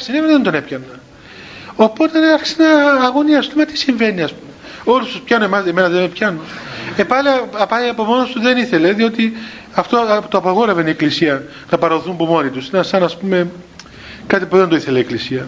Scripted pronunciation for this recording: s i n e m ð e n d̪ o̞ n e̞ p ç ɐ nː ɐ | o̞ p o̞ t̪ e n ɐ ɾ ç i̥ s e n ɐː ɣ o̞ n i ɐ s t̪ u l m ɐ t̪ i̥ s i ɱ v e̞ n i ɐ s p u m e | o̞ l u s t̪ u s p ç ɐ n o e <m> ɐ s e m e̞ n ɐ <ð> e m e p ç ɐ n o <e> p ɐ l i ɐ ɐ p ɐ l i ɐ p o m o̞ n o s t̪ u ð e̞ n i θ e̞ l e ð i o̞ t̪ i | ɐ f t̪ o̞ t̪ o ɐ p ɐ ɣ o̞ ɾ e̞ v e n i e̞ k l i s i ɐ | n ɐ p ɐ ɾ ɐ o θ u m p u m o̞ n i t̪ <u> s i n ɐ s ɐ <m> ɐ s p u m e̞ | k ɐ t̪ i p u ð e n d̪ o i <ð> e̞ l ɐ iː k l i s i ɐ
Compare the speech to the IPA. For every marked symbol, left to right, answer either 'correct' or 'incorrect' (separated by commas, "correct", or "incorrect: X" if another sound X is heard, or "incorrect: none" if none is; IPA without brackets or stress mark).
correct, correct, correct, correct, incorrect: n, incorrect: θ